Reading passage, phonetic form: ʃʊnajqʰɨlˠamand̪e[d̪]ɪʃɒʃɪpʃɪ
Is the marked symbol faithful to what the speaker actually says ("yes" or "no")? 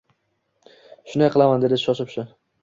yes